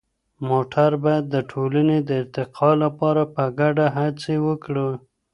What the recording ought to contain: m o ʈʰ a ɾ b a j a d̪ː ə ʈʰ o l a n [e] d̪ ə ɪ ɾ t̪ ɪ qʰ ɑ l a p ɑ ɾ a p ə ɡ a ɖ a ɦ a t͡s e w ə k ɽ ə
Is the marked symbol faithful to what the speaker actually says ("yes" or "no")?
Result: yes